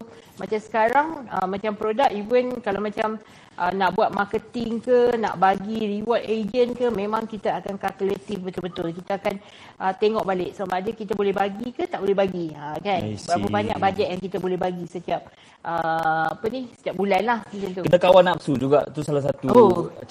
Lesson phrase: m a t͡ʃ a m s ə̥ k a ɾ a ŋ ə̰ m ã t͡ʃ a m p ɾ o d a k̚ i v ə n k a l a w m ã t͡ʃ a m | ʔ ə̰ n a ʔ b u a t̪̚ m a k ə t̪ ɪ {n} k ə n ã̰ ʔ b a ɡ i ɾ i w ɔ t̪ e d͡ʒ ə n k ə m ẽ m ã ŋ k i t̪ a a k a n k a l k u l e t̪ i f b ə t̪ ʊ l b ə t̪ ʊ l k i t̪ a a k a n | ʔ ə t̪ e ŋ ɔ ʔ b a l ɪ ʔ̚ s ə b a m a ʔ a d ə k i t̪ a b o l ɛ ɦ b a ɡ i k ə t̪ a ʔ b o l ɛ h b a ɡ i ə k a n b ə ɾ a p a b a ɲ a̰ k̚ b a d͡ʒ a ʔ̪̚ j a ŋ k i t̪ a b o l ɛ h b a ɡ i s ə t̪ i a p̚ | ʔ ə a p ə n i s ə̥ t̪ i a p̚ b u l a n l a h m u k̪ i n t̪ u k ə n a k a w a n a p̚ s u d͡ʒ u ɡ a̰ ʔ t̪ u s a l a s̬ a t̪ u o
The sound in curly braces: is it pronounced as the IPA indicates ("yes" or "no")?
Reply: no